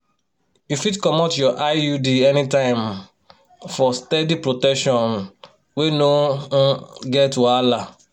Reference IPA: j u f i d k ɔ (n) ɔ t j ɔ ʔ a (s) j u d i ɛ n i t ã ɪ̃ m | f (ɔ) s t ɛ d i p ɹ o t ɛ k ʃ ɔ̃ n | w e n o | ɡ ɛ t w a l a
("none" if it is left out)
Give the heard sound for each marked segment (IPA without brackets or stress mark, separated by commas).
m, none, ɔ